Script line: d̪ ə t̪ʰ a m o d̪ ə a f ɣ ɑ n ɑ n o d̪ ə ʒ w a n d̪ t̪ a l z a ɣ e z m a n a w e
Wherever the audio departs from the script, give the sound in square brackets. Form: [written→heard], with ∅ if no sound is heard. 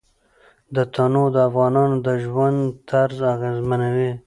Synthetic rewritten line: d̪ ə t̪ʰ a [m→n] o d̪ ə a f ɣ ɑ n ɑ n o d̪ ə ʒ w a n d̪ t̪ a [l→ɾ] z a ɣ e z m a n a w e